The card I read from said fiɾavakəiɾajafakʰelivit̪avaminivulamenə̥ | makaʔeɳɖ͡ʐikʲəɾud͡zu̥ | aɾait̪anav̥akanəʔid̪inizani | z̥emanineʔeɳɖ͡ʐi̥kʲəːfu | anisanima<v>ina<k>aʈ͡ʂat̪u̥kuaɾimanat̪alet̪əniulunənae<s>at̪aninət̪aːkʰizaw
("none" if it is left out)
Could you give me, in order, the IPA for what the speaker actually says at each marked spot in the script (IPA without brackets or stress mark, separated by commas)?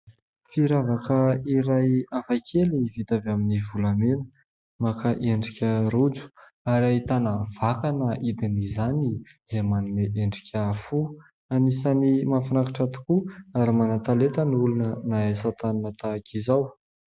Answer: f, k, s